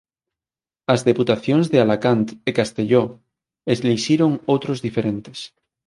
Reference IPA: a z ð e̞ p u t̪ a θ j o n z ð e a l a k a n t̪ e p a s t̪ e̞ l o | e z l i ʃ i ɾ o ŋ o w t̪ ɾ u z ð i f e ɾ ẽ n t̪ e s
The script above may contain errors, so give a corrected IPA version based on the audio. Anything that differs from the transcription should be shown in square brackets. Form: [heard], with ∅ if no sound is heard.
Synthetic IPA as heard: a z ð e̞ p u t̪ a θ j o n z ð e a l a k a n t̪ e [k] a s t̪ e̞ [ʎ] o | e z l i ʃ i ɾ o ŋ o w t̪ ɾ [o] z ð i f e ɾ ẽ n t̪ e s